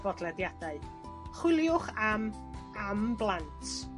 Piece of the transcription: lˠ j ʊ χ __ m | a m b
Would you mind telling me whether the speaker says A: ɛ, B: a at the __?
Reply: B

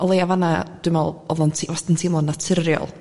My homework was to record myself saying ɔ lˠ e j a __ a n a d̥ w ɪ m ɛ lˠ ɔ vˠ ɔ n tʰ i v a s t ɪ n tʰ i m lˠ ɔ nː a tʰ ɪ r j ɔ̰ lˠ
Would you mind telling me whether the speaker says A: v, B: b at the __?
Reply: A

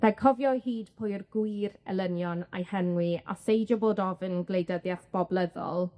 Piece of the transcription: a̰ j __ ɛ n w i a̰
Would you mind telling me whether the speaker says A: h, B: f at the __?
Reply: A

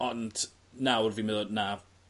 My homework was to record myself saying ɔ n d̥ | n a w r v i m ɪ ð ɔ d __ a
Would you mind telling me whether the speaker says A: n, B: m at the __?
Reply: A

